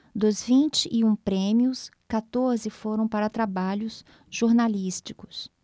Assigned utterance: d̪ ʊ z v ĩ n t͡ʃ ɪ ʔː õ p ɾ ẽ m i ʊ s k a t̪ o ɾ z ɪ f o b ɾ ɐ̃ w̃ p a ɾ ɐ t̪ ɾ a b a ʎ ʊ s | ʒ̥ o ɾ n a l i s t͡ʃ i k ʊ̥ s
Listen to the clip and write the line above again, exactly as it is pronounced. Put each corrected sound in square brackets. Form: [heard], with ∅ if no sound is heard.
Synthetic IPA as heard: d̪ ʊ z v ĩ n t͡ʃ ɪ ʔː [ũ] p ɾ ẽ m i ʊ s k a t̪ o ɾ z ɪ f o [∅] ɾ ɐ̃ w̃ p a ɾ ɐ t̪ ɾ a b a ʎ ʊ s | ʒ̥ o ɾ n a l i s t͡ʃ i k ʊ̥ s